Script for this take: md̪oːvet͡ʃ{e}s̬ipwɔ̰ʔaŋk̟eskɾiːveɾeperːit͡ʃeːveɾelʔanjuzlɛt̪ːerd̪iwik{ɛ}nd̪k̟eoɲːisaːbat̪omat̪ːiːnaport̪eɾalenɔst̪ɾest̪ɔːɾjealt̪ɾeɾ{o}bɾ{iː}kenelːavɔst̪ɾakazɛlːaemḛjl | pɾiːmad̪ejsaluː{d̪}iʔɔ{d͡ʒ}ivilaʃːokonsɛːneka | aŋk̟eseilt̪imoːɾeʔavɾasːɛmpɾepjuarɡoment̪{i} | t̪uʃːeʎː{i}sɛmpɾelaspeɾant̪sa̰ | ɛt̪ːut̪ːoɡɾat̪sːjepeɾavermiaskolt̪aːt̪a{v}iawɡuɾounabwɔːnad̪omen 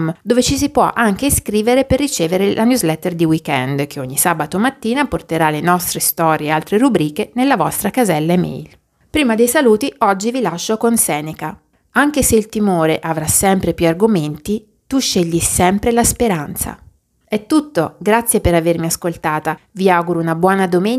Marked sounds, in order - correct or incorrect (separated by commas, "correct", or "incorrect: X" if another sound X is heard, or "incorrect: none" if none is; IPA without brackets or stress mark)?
incorrect: i, correct, incorrect: u, correct, incorrect: t̪, incorrect: d͡ʒː, correct, correct, correct